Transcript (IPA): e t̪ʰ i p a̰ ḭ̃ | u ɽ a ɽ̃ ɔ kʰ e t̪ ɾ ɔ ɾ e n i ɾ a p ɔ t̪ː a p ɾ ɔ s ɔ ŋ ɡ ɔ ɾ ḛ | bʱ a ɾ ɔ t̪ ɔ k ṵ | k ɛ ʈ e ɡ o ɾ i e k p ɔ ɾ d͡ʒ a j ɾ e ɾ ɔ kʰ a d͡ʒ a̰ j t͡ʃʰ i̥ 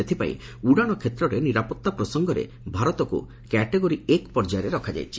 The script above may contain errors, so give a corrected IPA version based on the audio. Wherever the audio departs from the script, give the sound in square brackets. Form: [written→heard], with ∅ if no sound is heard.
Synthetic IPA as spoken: e t̪ʰ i p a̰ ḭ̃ | u ɽ a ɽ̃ ɔ kʰ e t̪ ɾ ɔ ɾ e n i ɾ a p ɔ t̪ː a p ɾ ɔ s ɔ ŋ ɡ ɔ ɾ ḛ | bʱ a ɾ ɔ t̪ ɔ k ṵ | k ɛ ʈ e ɡ o ɾ i e k p ɔ ɾ d͡ʒ a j ɾ e ɾ ɔ kʰ a d͡ʒ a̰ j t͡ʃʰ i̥